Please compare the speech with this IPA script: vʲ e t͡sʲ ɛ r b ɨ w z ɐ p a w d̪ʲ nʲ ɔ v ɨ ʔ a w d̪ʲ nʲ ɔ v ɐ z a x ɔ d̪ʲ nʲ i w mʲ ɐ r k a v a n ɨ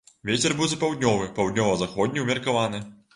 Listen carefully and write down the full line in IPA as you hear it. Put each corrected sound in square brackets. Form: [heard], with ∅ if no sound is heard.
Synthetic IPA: vʲ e t͡sʲ ɛ r b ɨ w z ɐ p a w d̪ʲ nʲ ɔ v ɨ [p] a w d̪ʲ nʲ ɔ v ɐ z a x ɔ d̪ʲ nʲ i w mʲ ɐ r k a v a n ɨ